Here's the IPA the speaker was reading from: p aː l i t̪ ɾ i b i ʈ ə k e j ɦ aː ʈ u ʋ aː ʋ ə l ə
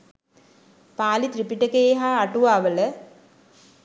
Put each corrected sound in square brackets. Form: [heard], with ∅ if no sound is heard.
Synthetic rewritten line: p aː l i t̪ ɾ i [p] i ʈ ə k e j ɦ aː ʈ u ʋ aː ʋ ə l ə